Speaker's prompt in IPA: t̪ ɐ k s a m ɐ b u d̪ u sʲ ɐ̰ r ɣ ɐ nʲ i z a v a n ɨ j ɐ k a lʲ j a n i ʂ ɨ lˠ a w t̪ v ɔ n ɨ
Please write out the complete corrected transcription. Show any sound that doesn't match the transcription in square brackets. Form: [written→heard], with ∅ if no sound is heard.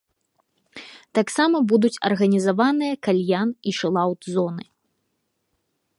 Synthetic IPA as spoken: t̪ [ɐ→a] k s a m ɐ b u d̪ u [sʲ→t͡sʲ] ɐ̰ r ɣ ɐ nʲ i z a v a n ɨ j ɐ k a lʲ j a n i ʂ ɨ lˠ a w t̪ [v→z] ɔ n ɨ